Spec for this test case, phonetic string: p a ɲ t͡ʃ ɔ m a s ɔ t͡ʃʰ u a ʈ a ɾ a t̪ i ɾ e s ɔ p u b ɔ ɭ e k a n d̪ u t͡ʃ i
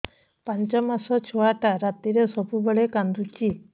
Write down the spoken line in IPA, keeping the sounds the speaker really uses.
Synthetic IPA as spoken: p a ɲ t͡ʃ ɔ m a s ɔ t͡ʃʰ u a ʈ a ɾ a t̪ i ɾ e s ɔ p u b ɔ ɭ e k a n d̪ u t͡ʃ i